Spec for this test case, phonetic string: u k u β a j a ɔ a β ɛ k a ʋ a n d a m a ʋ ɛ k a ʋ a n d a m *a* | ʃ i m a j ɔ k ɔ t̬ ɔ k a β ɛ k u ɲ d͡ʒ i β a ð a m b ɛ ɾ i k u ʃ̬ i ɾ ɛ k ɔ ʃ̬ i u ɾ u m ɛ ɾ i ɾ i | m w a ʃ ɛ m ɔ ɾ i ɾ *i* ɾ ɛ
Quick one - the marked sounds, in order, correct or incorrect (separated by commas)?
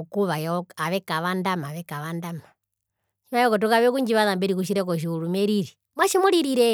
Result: correct, correct